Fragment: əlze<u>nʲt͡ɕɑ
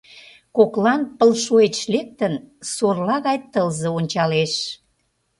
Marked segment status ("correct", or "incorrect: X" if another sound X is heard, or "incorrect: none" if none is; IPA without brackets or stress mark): incorrect: o